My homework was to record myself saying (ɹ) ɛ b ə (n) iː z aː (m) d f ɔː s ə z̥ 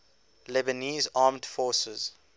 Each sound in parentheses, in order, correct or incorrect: incorrect: l, correct, correct

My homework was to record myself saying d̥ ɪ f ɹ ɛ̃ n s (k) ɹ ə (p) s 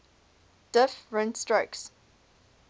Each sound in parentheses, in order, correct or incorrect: incorrect: t, incorrect: k

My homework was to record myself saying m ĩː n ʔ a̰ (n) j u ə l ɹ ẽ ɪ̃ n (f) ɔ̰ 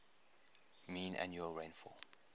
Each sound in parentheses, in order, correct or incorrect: correct, correct

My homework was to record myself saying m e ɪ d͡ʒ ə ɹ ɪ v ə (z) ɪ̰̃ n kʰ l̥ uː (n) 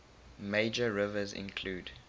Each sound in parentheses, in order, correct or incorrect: correct, incorrect: d

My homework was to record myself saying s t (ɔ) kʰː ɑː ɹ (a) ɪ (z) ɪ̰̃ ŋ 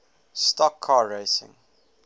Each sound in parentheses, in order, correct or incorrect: correct, incorrect: e, incorrect: s

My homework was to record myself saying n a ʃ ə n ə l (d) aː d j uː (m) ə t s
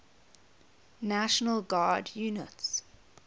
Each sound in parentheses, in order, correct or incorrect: incorrect: ɡ, incorrect: n

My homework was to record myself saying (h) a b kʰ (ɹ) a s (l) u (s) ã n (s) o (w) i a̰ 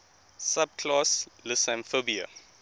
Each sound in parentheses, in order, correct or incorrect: incorrect: s, incorrect: l, correct, correct, incorrect: f, incorrect: b

